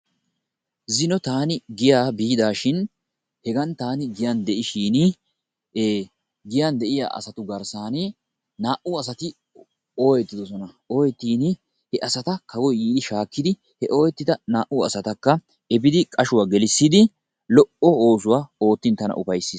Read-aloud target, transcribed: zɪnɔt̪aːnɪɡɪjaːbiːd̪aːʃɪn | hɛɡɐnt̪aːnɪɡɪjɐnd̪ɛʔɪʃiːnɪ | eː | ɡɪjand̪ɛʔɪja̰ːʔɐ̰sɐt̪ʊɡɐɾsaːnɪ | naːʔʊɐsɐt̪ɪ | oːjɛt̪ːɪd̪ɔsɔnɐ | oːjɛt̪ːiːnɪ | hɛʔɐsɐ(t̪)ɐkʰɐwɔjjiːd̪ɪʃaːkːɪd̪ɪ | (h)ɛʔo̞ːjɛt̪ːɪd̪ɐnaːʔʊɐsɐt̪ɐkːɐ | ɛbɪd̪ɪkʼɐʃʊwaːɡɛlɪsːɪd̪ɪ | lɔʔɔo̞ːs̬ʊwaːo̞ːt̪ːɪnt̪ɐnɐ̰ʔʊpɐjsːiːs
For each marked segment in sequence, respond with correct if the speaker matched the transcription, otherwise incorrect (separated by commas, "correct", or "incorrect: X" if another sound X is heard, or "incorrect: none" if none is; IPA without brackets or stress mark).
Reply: correct, correct